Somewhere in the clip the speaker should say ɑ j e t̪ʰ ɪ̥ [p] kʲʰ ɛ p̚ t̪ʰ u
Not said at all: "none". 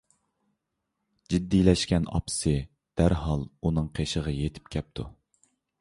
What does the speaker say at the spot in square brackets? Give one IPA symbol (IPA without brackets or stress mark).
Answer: p